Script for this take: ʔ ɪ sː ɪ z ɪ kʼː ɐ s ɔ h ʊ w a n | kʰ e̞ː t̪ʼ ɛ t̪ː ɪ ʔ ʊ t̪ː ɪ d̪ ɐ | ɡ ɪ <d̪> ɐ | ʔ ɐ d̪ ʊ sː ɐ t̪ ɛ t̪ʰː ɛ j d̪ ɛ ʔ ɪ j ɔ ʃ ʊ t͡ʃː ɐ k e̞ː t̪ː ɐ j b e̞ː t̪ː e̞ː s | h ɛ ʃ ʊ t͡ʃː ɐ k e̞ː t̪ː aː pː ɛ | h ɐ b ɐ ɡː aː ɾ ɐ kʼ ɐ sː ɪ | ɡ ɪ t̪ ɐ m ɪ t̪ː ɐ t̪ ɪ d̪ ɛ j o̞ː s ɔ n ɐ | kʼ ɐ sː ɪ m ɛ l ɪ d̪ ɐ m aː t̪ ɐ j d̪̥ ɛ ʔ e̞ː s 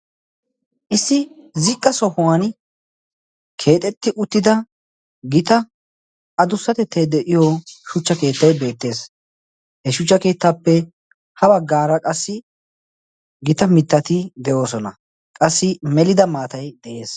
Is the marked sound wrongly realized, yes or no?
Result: yes